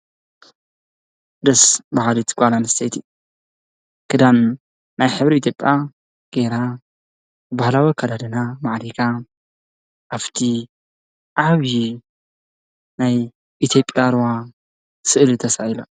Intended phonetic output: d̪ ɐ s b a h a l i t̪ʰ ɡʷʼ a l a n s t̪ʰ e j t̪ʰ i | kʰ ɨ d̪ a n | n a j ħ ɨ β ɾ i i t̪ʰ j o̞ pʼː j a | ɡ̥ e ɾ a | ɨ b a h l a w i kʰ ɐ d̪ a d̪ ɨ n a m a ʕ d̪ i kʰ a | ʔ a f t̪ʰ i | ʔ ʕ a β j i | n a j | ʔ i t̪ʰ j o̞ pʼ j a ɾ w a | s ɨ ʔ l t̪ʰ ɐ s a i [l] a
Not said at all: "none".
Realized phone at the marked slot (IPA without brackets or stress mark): l